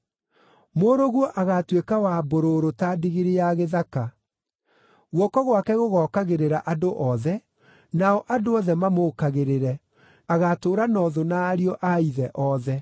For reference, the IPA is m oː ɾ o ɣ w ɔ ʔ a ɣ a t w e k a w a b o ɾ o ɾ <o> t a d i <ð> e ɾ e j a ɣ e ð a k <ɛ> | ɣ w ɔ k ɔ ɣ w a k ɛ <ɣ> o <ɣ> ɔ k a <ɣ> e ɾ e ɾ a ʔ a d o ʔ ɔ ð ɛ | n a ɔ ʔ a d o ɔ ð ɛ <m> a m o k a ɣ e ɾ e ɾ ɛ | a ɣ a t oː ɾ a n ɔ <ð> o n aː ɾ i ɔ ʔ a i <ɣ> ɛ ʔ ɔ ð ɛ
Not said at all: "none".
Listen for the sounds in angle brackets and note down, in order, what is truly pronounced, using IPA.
o, ɣ, a, ɣ, ɣ, ɣ, m, ð, ð

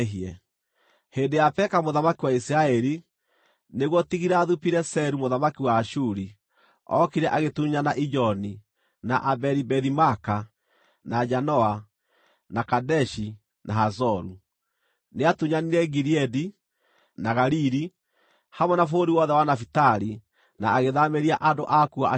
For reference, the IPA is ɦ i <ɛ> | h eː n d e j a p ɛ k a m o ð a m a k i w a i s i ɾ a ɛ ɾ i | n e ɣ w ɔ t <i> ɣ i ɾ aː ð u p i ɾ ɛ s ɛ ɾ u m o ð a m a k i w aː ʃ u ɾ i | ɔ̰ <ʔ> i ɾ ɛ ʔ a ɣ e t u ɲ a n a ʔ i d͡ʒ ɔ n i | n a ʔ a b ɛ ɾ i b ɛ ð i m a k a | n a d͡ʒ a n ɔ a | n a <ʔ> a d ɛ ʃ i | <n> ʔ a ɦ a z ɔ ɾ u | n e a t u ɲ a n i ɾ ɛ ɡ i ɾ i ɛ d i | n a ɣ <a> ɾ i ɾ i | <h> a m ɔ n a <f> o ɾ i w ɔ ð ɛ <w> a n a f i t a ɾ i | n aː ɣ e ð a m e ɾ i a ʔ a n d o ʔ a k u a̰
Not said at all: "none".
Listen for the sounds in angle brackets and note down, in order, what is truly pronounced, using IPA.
ɛ, i, k, k, n, a, h, f, w

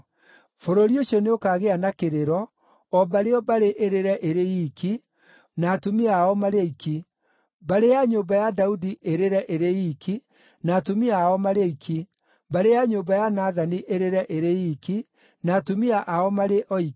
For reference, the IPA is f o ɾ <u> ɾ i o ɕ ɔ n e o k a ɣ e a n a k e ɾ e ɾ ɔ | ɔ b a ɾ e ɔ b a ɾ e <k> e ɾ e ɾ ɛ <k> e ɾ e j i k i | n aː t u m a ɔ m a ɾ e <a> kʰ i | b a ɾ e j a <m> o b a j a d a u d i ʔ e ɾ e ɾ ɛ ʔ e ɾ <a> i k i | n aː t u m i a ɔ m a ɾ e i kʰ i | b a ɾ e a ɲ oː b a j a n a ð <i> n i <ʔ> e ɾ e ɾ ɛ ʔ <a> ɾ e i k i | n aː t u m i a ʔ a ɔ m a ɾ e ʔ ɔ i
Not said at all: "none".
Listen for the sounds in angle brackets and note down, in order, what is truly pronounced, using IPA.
o, ʔ, ʔ, i, ɲ, e, a, ʔ, e

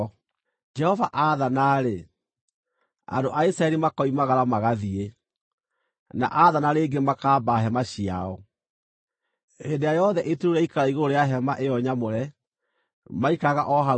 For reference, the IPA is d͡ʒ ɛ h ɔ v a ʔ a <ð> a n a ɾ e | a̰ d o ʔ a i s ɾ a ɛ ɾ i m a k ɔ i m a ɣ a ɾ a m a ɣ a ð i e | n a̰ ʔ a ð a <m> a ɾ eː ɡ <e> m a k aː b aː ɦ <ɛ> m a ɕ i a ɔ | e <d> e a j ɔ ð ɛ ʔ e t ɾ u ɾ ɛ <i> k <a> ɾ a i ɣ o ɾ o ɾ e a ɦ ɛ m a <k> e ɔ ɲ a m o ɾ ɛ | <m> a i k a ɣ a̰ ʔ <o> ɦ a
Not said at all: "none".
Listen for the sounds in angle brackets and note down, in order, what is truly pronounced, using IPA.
ð, n, e, ɛ, d, i, a, ʔ, m, ɔ

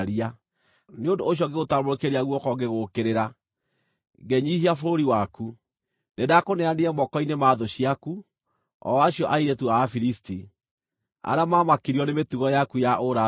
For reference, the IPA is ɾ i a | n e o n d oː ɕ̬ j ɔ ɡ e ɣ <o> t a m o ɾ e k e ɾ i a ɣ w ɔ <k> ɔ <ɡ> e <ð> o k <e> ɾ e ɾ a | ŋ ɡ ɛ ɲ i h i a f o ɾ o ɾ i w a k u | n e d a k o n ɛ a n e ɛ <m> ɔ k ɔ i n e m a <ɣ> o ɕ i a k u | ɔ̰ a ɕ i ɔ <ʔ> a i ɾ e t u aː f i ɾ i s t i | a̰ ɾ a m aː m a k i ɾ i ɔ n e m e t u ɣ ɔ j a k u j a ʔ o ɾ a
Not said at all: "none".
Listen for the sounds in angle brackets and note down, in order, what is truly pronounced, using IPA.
o, k, ɡ, ɣ, e, m, ð, ʔ

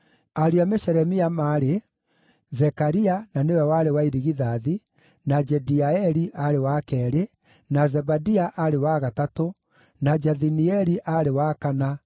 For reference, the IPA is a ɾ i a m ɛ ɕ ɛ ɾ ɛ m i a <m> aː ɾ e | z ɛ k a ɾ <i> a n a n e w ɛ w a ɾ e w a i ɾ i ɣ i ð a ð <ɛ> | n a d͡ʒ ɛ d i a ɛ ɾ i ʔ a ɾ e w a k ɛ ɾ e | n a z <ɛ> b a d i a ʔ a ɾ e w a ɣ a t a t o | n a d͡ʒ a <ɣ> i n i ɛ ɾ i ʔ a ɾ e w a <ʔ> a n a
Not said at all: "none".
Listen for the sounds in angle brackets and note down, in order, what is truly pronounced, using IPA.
m, i, i, ɛ, ð, k

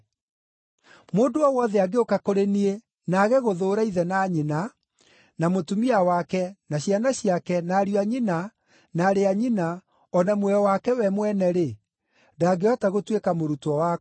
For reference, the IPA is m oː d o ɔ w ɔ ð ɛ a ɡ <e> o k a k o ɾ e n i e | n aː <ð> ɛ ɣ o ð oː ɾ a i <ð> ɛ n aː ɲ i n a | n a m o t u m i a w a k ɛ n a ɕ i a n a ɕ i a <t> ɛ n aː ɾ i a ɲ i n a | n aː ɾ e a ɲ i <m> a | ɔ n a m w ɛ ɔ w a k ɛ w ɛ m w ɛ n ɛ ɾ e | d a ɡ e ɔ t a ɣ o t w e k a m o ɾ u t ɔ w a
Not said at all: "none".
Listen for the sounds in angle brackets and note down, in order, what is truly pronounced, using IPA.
e, ɣ, ð, k, n

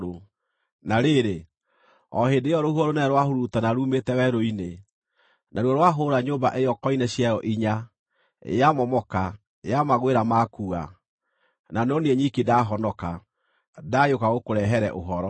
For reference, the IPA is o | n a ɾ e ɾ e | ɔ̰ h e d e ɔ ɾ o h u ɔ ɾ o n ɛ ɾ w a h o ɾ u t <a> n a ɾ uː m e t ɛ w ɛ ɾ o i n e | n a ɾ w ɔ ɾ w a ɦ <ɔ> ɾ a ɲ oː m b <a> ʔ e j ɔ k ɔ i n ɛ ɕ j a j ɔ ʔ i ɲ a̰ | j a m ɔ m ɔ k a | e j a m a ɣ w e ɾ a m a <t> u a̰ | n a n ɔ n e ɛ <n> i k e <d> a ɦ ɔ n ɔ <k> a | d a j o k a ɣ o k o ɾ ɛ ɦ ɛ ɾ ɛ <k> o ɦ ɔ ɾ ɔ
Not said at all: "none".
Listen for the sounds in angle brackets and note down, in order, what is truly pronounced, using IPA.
a, o, a, k, ɲ, d, k, ʔ

